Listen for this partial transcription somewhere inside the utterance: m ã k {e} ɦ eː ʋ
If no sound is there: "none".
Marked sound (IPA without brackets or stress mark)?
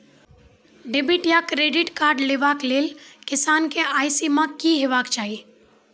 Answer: i